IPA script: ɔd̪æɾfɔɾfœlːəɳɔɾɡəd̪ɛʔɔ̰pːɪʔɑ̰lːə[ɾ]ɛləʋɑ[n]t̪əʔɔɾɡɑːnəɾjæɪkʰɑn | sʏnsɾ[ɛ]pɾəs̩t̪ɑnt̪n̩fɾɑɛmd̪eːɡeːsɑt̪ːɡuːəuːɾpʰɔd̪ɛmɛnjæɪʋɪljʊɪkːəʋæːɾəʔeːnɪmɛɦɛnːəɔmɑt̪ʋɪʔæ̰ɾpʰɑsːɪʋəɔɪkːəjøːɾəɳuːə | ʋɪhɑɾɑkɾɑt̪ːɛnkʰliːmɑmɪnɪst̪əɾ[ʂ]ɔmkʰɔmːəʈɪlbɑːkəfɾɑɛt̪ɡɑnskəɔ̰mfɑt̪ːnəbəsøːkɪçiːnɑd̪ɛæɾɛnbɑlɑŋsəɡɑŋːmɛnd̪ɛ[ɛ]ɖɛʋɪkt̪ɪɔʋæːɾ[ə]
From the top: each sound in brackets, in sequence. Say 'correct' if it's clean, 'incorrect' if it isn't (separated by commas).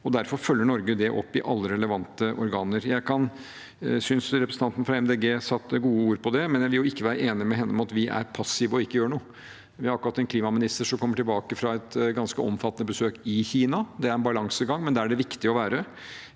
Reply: correct, correct, correct, correct, incorrect, correct